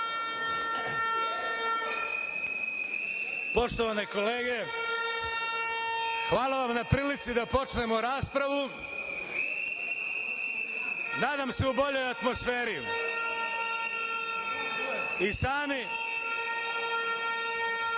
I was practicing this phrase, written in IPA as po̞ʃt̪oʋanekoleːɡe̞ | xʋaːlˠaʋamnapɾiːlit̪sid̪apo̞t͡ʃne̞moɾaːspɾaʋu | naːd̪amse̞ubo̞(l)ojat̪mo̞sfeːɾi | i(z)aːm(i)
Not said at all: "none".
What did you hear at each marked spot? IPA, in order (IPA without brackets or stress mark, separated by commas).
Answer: ʎ, s, i